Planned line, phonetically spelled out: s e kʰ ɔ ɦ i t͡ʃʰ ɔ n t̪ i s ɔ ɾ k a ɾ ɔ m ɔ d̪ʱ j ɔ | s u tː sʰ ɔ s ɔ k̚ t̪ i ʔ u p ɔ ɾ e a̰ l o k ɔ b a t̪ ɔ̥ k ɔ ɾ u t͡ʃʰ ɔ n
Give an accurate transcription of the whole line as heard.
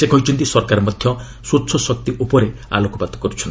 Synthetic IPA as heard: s e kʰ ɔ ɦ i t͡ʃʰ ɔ n t̪ i s ɔ ɾ k a ɾ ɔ m ɔ d̪ʱ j ɔ | s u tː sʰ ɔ s ɔ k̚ t̪ i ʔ u p ɔ ɾ e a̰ l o k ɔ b a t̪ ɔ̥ k ɔ ɾ u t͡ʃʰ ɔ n